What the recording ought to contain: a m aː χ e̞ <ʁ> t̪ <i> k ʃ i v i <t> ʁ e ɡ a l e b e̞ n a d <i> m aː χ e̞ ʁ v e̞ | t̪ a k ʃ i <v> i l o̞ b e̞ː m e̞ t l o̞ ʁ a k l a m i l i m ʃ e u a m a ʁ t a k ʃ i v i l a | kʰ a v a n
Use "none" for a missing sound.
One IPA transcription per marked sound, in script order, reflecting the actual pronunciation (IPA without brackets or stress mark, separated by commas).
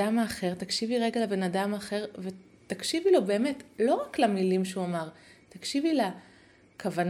ʁ, a, none, a, v